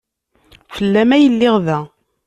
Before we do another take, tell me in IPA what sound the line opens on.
f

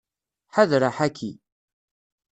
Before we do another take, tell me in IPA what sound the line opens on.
ħ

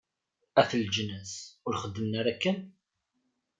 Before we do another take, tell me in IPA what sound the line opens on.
æ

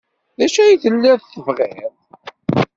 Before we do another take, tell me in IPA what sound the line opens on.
ð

